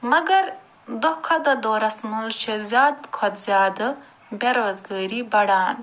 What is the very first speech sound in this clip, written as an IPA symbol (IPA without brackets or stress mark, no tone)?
m